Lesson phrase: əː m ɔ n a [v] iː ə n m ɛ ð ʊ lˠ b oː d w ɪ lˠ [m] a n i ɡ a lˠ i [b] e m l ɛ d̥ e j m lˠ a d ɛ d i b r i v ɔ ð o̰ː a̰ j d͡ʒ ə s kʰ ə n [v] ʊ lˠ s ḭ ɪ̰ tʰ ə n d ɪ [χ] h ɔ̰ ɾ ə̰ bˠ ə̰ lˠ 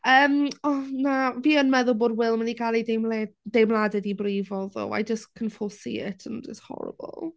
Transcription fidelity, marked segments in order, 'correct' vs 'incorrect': correct, correct, incorrect: d, incorrect: f, incorrect: s

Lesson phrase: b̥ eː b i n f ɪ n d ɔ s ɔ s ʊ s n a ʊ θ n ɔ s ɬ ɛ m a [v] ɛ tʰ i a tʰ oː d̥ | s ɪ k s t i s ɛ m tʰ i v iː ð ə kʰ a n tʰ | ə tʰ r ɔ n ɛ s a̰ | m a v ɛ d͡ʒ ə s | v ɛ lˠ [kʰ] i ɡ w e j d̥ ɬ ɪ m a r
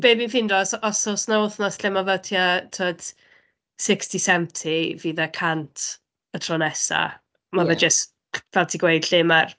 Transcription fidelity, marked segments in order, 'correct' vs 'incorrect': correct, incorrect: tʰ

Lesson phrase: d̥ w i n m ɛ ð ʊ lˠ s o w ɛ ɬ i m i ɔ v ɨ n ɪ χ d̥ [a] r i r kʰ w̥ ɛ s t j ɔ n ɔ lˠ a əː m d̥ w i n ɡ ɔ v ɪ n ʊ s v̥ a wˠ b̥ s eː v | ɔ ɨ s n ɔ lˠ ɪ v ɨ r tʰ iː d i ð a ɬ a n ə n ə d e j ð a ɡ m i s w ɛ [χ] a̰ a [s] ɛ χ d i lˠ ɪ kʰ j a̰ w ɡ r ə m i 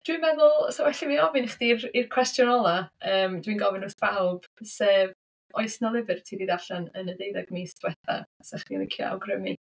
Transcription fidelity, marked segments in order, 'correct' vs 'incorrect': incorrect: i, incorrect: θ, correct

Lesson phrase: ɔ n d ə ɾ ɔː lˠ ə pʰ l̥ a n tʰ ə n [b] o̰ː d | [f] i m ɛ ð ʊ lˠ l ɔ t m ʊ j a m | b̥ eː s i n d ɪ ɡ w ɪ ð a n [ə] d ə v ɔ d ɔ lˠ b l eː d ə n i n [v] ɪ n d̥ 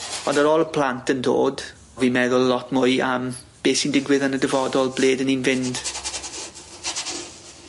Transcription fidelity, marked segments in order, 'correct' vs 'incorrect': incorrect: d, incorrect: v, correct, correct

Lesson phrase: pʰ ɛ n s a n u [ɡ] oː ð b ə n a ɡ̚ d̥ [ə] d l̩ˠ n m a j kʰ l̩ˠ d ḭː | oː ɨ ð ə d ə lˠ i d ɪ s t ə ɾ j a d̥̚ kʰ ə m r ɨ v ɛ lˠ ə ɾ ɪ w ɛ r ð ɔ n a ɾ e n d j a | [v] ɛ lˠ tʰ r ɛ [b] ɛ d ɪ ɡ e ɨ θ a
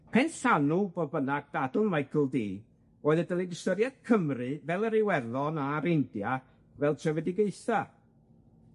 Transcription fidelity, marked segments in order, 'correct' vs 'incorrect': incorrect: b, incorrect: a, correct, incorrect: v

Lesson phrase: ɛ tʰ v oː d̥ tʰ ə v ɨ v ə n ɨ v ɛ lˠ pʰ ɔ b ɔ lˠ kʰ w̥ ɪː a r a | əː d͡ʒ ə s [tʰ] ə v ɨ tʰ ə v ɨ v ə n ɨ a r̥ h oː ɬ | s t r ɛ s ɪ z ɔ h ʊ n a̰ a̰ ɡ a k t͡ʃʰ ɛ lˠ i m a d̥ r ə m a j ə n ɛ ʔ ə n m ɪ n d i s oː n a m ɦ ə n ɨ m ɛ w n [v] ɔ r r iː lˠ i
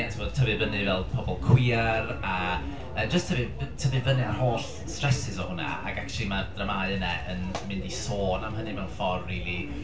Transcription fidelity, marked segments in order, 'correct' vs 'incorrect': correct, incorrect: f

